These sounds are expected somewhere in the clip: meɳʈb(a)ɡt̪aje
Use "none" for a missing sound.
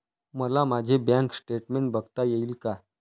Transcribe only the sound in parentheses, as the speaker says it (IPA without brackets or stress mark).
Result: ə